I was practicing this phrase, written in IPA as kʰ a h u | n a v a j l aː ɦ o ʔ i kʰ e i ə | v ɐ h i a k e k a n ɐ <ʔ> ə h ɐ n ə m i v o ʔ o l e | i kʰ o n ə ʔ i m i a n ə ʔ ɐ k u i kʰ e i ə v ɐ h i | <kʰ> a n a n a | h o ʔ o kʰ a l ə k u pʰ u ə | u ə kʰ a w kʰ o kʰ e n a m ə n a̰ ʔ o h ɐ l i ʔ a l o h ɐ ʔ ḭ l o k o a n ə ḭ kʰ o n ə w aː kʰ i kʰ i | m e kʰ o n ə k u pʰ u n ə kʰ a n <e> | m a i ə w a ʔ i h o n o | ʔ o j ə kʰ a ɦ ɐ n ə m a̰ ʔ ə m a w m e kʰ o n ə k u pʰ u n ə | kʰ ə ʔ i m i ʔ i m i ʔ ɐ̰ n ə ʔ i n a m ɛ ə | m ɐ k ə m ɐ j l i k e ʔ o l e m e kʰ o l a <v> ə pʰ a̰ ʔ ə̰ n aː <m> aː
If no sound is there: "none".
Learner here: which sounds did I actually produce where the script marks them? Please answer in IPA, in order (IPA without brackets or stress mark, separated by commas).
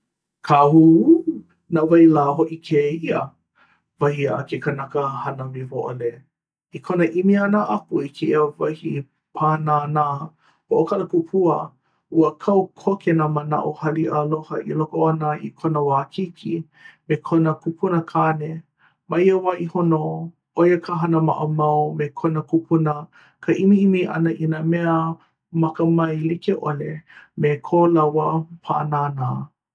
k, pʰ, e, w, n